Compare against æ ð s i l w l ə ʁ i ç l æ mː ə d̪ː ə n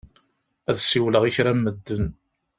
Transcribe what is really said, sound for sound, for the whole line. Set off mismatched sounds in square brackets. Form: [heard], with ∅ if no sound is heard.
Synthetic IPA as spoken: æ ð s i [∅] w l ə ʁ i ç [ɾ] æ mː ə d̪ː ə n